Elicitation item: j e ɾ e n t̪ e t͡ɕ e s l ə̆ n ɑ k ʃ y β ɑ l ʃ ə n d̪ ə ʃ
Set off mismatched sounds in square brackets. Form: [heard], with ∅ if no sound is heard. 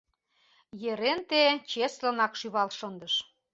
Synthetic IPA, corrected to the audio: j e ɾ e n t̪ e t͡ɕ e s l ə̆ n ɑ k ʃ y β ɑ l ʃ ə n d̪ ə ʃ